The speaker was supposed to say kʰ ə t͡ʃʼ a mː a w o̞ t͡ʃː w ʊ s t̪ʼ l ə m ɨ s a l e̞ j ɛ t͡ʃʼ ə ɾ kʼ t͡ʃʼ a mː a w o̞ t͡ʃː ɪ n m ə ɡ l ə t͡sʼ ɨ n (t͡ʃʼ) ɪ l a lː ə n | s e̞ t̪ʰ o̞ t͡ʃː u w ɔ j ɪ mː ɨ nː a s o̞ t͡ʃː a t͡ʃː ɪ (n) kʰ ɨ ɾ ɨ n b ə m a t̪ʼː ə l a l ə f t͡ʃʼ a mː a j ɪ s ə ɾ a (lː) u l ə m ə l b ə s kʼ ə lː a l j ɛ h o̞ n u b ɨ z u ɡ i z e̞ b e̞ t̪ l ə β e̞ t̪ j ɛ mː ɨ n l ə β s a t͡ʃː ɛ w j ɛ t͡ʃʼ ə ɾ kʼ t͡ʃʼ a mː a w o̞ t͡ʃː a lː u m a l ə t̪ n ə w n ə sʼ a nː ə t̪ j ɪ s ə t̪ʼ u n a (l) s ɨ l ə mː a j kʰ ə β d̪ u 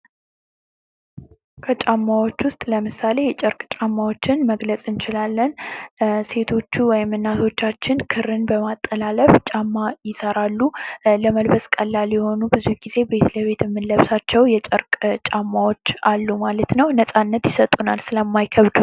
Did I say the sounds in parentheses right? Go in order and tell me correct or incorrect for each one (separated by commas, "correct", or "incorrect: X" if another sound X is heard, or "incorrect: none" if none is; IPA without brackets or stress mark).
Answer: incorrect: t͡ʃ, correct, correct, correct